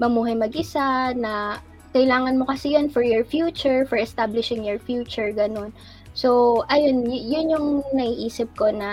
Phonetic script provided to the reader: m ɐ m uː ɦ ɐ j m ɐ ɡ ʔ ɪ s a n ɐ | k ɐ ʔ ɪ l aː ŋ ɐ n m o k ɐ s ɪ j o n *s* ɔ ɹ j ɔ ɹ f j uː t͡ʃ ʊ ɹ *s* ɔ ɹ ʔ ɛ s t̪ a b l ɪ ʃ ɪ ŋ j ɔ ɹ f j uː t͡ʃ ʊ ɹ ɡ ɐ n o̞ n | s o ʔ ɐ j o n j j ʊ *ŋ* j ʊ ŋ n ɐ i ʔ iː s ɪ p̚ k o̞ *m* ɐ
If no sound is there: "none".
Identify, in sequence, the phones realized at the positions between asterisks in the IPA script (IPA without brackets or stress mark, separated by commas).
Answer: f, f, n, n